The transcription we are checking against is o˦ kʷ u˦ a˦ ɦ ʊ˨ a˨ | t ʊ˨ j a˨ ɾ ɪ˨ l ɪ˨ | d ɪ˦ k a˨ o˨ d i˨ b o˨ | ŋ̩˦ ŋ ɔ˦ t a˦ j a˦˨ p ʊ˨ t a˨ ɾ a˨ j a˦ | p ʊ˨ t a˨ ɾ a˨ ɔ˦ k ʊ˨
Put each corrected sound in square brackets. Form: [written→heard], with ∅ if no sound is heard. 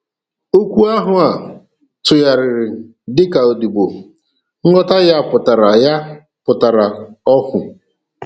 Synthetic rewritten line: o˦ kʷ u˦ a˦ ɦ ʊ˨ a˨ | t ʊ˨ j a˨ ɾ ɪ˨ [l→ɾ] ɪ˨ | d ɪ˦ k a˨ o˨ d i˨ b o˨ | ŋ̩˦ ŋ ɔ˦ t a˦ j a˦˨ p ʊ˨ t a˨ ɾ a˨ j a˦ | p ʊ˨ t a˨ ɾ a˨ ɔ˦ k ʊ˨